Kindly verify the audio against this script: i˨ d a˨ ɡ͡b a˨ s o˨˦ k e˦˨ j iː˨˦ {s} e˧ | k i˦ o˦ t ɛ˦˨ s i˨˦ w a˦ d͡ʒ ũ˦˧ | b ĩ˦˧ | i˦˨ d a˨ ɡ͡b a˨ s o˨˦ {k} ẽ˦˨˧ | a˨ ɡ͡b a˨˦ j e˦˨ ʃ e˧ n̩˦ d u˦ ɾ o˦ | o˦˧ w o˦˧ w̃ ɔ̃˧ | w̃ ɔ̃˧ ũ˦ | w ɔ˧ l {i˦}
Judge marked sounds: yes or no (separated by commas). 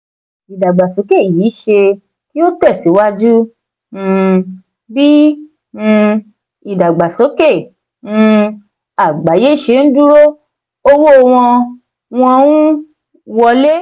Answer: no, yes, no